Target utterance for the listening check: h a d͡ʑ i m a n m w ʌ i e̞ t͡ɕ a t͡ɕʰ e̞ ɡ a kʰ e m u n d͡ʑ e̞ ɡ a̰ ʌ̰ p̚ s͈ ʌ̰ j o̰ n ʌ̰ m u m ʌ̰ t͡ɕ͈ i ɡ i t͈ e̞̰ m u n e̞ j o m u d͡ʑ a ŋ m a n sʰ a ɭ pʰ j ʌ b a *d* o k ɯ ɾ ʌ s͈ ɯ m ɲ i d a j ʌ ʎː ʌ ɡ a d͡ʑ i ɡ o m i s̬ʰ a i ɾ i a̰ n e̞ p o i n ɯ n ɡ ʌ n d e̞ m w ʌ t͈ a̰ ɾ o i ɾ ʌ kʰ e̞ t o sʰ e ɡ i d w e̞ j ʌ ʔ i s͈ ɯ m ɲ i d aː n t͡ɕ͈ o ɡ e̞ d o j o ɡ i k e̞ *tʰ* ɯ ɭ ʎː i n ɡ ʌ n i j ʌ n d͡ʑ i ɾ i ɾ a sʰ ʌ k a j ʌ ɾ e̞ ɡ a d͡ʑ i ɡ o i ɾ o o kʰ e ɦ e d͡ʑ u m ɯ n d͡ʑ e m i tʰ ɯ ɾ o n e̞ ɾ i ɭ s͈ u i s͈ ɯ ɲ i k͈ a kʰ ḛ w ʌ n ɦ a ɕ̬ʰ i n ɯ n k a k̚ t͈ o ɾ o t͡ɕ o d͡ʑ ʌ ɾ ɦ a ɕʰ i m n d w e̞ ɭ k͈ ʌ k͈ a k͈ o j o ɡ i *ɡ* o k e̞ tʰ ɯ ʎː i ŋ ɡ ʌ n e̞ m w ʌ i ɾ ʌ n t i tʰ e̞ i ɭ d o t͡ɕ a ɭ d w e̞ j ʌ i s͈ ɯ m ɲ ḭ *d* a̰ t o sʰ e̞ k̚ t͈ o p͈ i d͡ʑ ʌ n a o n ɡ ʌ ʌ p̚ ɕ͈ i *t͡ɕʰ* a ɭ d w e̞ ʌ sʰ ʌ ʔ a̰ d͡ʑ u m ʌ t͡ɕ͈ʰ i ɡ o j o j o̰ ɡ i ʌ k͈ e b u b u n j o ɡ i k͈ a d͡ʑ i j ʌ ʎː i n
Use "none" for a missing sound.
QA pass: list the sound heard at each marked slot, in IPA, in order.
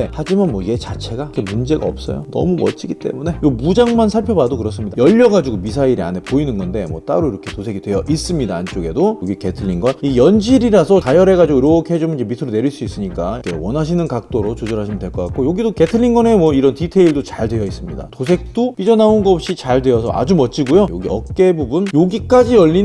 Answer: d, tʰ, d, d, t͡ɕ

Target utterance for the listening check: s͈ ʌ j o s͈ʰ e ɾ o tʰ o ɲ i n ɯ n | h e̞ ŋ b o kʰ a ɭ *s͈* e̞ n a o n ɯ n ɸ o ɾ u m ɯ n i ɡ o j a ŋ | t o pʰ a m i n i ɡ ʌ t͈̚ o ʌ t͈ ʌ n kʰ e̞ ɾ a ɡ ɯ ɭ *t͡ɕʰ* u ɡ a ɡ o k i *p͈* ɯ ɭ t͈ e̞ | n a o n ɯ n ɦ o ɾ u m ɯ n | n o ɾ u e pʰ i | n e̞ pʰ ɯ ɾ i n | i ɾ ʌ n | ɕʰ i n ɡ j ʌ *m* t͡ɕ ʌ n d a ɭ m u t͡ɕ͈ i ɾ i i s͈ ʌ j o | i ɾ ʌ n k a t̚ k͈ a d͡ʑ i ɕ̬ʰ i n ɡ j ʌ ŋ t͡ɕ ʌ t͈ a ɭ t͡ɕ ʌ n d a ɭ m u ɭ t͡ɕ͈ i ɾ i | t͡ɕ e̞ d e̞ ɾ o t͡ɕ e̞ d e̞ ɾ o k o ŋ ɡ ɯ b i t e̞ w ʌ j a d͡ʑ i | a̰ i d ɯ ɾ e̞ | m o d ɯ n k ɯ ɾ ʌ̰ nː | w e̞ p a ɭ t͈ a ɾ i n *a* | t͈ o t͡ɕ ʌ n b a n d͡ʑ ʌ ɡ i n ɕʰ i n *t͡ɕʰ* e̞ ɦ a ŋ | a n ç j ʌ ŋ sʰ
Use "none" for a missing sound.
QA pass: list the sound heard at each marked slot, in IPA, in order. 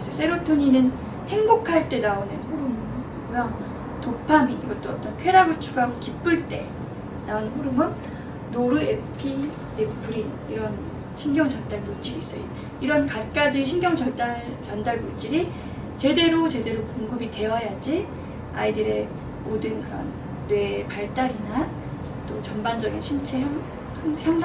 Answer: t͈, t͡ɕʰ, p͈, ŋ, a, t͡ɕʰ

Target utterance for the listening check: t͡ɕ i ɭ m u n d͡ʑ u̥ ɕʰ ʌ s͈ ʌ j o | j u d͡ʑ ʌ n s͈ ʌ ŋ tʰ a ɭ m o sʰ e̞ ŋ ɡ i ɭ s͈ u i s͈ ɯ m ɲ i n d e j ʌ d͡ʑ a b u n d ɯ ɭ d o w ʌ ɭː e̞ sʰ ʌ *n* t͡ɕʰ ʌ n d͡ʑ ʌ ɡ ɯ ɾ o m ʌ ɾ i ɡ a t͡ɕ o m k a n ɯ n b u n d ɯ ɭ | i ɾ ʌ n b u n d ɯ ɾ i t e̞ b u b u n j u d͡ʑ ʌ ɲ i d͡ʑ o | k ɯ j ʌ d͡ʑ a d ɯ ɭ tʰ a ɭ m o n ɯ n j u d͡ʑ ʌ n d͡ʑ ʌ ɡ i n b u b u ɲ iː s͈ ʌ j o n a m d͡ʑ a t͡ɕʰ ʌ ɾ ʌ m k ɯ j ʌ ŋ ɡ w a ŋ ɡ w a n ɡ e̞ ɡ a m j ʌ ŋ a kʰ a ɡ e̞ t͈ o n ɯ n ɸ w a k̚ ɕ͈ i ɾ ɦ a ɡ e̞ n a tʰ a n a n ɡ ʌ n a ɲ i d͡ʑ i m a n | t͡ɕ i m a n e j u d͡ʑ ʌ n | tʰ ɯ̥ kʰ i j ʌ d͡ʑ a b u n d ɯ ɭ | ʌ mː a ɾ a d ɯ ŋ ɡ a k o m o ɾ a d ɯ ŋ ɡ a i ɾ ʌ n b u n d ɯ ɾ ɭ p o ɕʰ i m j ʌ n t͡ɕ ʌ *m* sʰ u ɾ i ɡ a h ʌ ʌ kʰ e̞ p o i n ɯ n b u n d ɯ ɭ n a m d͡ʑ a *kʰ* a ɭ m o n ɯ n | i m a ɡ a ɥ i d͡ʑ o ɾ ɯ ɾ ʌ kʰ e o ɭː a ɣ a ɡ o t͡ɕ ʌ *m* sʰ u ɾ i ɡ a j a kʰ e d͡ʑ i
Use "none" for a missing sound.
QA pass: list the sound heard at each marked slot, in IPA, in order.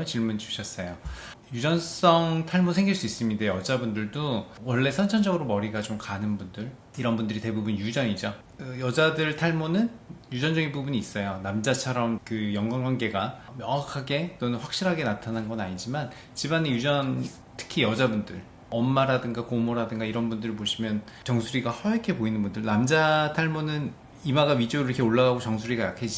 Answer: n, ŋ, tʰ, ŋ

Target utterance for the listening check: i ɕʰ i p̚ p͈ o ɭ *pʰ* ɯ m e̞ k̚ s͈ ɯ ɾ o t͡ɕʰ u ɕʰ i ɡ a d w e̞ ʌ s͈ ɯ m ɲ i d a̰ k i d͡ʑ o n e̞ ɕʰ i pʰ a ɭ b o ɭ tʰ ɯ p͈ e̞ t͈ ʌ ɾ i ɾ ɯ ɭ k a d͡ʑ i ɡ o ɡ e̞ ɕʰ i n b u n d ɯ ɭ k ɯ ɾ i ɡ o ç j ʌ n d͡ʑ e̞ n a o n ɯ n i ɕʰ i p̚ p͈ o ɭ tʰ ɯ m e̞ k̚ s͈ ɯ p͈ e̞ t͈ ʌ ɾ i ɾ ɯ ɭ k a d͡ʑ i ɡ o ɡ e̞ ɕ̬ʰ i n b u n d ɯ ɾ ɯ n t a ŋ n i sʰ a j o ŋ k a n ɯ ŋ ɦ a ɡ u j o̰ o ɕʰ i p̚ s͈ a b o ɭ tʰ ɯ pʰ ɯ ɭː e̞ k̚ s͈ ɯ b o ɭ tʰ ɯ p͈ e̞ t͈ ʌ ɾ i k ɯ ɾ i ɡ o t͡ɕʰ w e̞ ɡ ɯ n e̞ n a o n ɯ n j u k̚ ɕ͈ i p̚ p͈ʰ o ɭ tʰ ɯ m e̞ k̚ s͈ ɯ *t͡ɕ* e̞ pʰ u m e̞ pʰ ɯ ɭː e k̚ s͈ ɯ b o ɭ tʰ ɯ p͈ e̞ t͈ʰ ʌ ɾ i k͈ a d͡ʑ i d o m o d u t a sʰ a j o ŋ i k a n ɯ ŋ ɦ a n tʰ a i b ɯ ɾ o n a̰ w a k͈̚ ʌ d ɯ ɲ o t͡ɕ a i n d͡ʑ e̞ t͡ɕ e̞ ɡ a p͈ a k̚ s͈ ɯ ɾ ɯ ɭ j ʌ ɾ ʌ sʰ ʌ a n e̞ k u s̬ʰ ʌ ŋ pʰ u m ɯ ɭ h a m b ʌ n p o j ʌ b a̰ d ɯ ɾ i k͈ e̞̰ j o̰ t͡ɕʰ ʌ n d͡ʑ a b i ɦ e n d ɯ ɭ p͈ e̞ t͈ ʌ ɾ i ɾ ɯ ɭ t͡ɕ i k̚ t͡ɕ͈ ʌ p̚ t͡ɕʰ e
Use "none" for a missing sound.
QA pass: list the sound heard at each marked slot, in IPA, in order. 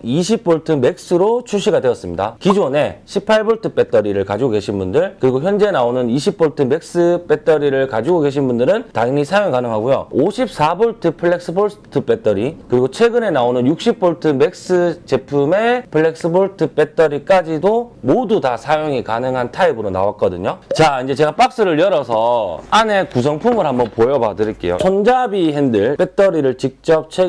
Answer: tʰ, t͡ɕ

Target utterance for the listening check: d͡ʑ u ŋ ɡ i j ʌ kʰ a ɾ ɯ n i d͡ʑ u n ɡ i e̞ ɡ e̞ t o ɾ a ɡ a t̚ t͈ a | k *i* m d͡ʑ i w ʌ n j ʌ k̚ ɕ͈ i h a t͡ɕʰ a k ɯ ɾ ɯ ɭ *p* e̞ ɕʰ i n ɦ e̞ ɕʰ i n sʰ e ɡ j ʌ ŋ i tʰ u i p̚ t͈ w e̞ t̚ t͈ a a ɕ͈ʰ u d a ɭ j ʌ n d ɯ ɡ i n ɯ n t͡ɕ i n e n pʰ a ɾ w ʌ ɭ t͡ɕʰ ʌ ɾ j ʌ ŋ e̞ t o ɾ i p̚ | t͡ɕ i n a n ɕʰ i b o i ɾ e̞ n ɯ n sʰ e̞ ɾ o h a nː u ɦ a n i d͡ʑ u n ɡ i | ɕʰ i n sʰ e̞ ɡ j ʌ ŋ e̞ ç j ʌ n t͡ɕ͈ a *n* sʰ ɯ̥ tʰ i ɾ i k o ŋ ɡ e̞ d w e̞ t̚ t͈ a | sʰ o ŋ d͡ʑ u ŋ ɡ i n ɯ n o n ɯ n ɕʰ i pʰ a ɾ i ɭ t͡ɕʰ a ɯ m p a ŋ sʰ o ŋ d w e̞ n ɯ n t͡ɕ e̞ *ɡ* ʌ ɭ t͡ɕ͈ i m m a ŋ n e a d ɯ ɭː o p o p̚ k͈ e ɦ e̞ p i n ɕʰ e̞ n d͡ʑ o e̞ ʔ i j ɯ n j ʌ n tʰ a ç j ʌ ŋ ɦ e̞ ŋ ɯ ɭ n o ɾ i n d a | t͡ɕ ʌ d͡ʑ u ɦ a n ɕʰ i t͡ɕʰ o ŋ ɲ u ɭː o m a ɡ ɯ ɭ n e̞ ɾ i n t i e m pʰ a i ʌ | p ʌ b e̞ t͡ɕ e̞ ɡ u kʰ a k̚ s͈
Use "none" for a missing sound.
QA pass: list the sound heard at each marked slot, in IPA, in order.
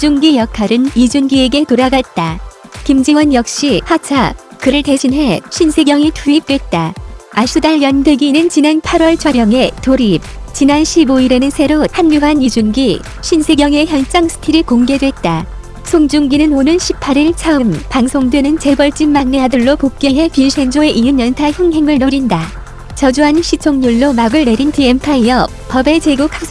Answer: i, t, ŋ, b

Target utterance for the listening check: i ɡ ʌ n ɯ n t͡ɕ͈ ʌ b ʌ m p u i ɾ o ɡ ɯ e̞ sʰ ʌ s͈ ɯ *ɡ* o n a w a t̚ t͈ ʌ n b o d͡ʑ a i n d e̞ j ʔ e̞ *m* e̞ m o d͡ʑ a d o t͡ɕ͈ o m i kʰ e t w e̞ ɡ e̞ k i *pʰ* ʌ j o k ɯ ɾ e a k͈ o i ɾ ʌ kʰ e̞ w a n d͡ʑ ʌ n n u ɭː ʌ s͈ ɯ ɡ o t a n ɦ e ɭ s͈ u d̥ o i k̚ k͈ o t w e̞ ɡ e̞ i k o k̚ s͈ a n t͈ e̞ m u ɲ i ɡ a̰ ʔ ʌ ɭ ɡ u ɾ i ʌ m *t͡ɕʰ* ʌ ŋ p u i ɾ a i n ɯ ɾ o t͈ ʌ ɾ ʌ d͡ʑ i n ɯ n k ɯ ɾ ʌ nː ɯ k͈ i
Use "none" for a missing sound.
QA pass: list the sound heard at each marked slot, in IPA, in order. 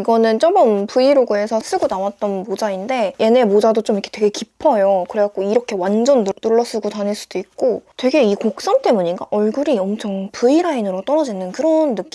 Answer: ɡ, n, pʰ, t͡ɕʰ

